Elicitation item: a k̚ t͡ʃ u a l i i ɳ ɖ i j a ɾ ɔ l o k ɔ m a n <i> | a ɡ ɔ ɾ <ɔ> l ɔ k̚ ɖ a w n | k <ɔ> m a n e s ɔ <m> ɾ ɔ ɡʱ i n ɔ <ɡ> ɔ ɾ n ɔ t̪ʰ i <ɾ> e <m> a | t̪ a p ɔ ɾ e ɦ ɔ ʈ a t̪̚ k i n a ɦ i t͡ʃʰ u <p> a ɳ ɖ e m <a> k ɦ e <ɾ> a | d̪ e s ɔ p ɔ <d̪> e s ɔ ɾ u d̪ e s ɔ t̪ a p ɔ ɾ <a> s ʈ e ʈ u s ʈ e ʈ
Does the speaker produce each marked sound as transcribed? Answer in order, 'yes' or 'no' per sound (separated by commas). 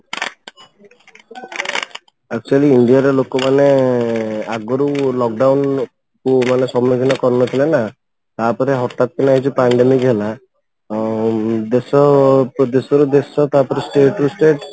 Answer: no, no, no, yes, no, no, no, yes, no, no, yes, no